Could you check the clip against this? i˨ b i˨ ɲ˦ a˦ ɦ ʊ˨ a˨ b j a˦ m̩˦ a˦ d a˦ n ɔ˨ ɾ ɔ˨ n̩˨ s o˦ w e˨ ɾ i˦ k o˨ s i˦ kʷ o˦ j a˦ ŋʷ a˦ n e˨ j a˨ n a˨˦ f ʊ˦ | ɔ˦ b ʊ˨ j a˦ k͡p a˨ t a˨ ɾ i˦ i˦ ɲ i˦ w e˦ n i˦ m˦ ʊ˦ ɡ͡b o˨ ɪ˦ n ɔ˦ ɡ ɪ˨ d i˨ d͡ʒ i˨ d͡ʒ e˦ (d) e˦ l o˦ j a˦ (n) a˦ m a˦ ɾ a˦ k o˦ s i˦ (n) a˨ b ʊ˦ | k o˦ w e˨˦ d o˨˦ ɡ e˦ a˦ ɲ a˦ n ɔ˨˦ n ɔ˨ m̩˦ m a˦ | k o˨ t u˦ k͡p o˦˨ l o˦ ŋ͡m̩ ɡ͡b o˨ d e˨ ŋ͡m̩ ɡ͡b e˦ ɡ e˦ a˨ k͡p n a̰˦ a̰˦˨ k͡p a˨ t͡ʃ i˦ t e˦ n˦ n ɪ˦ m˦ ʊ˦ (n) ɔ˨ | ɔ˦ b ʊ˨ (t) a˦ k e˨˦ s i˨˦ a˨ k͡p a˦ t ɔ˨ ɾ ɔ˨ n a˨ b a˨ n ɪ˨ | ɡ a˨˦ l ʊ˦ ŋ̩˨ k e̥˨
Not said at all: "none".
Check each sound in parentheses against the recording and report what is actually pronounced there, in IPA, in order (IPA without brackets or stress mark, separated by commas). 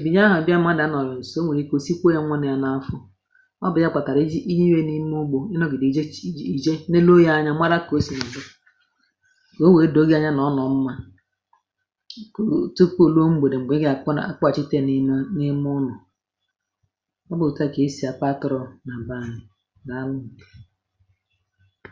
n, ɲ, n, n, t